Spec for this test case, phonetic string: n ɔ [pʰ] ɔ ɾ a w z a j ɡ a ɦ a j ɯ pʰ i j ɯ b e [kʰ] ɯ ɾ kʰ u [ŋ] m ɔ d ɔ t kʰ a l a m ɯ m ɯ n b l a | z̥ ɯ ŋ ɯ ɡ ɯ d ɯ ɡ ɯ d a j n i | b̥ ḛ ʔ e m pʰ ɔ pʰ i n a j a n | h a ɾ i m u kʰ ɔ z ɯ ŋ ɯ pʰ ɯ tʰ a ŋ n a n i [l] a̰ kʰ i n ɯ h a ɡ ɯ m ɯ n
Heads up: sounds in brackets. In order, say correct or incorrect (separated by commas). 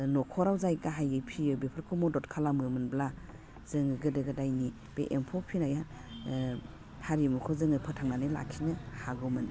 incorrect, incorrect, incorrect, correct